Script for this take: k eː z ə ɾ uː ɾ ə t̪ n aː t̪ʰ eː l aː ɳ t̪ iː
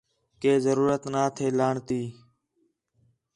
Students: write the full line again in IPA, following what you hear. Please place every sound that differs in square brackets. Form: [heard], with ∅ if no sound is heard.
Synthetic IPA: k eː z ə ɾ uː ɾ ə t̪ n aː t̪ʰ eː l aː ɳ t̪ iː